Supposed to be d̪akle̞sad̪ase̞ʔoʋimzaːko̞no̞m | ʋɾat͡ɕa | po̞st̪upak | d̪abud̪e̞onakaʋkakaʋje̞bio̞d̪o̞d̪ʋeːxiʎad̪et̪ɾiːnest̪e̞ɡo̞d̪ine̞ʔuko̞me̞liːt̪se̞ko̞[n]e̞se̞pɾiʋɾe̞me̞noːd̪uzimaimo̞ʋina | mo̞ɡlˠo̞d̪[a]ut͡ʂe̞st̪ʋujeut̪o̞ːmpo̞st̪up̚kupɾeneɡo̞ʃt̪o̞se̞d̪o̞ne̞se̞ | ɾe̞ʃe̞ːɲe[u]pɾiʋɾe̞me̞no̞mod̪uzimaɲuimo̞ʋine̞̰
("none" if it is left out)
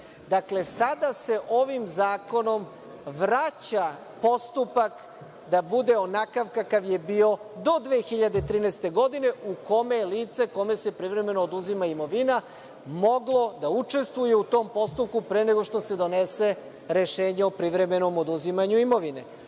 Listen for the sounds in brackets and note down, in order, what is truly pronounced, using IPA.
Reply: m, a, o

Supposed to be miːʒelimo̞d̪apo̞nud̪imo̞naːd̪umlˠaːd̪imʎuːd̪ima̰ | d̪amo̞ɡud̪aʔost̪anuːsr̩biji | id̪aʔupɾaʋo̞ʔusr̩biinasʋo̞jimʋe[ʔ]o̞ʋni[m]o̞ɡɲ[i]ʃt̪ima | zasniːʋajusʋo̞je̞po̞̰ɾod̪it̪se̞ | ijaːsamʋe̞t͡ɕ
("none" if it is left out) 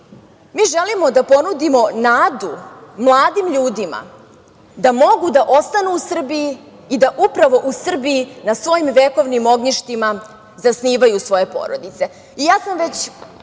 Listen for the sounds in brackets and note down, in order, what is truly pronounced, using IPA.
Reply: k, m, i

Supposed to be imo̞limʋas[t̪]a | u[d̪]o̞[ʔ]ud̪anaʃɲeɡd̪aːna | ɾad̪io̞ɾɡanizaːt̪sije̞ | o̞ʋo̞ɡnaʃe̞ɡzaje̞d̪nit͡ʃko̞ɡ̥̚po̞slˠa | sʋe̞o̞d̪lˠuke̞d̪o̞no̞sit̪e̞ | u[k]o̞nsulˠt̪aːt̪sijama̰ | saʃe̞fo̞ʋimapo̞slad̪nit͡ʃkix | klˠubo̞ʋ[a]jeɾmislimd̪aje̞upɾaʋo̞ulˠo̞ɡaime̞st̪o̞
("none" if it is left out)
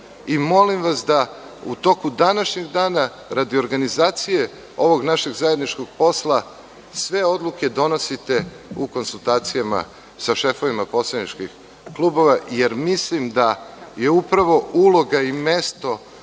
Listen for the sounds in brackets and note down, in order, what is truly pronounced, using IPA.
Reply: d̪, t̪, k, k, a

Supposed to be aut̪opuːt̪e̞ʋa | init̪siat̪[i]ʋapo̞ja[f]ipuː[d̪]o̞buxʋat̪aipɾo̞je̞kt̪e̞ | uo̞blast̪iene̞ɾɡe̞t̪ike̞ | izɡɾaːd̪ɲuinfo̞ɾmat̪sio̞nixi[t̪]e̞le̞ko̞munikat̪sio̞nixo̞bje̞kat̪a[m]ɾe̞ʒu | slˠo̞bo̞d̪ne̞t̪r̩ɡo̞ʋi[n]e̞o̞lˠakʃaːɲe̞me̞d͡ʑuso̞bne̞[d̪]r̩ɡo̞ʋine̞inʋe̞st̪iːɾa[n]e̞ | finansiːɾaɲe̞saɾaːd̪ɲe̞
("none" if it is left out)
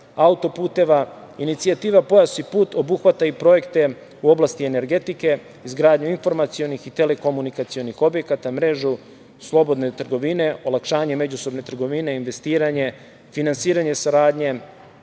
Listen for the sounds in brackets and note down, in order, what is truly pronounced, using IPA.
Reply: iː, s, t̪, t̪, m, n, t̪, ɲ

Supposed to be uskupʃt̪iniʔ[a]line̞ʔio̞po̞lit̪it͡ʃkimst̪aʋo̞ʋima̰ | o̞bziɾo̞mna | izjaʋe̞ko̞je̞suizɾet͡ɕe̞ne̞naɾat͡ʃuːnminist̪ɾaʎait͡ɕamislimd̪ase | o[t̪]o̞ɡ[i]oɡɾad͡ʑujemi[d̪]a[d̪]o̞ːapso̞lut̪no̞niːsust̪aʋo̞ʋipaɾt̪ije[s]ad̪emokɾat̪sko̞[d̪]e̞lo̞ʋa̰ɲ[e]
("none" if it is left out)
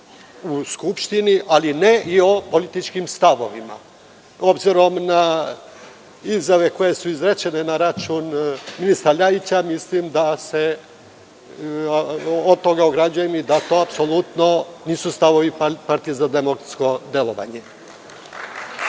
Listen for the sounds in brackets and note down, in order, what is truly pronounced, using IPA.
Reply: a, t̪, a, d̪, t̪, z, d̪, e

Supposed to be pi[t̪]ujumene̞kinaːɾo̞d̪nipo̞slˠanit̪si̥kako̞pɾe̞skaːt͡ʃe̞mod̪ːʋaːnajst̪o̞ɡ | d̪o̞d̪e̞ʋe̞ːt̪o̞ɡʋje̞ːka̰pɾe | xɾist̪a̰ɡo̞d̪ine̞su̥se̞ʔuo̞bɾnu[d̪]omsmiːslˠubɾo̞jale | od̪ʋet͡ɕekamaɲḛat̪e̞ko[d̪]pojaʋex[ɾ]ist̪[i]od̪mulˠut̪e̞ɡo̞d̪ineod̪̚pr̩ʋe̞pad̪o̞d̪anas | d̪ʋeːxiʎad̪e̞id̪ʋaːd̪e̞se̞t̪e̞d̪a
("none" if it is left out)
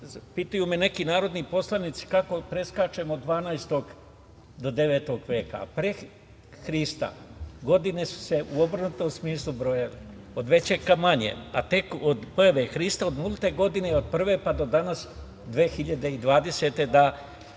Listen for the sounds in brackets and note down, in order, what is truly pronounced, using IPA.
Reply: t̪, t̪, d̪, ɾ, a

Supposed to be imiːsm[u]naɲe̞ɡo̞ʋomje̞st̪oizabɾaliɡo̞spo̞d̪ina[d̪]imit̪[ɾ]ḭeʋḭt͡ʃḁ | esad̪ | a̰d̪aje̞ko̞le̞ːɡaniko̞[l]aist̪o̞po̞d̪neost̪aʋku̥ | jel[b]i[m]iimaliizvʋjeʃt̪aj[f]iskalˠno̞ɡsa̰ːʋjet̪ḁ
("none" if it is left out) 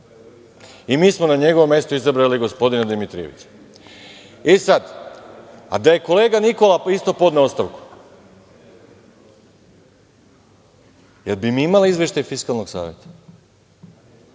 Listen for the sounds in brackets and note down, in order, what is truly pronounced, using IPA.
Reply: o, d̪, ɾ, l, b, m, f

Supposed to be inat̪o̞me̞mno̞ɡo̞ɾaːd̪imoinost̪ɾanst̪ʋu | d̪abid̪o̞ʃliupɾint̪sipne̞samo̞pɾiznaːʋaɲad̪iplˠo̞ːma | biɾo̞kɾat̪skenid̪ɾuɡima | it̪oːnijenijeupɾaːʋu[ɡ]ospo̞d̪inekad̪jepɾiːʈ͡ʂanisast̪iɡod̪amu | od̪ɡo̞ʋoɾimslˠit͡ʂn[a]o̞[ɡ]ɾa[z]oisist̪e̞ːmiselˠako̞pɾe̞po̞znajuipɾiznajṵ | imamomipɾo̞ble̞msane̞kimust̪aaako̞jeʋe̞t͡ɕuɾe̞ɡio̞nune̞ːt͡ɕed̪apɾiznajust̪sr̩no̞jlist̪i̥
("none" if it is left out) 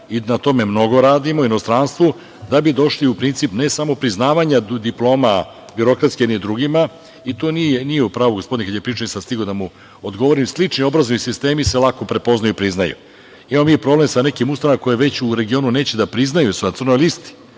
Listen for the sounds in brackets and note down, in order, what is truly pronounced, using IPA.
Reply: ɡ, i, b, z

